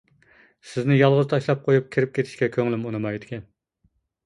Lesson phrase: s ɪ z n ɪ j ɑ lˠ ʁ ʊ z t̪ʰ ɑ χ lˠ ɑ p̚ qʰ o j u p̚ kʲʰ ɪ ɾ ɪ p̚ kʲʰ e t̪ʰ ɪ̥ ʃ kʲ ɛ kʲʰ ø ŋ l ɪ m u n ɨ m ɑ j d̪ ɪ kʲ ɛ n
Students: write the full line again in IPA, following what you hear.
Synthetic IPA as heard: s ɪ z n ɪ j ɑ lˠ ʁ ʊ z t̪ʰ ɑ ʃ lˠ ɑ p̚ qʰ o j u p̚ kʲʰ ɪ ɾ ɪ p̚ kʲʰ e t̪ʰ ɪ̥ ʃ kʲ ɛ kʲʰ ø ŋ l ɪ m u n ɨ m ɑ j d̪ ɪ kʲ ɛ n